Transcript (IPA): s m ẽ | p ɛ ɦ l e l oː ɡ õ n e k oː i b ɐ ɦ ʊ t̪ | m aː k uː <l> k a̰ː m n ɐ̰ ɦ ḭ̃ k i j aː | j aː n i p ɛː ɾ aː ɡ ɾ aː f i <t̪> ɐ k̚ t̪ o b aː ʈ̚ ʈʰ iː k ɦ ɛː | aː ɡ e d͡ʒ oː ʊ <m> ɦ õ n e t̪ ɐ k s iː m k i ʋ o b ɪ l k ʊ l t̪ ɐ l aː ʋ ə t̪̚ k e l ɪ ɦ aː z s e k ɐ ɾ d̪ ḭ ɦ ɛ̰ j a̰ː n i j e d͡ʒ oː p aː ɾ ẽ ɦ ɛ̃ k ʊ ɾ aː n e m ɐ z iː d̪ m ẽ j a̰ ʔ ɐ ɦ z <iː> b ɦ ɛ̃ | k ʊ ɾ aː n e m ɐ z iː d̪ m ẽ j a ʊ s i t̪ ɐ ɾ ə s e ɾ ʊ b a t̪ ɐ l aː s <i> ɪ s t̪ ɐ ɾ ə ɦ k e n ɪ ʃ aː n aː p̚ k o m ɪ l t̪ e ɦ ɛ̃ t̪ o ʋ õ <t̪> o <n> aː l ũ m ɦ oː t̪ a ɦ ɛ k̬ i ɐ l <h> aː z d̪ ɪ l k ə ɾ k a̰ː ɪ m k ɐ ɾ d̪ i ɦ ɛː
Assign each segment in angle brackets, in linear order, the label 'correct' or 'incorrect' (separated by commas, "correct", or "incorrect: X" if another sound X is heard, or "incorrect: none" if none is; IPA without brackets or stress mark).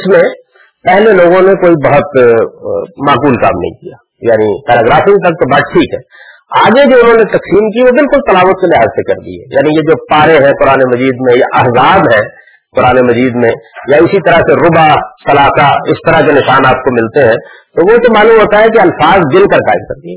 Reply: correct, correct, incorrect: n, incorrect: aː, incorrect: a, correct, incorrect: m, incorrect: f